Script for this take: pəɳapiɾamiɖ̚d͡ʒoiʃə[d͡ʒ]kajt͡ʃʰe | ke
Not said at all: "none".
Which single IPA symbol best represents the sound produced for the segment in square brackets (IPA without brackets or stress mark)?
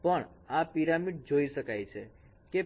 none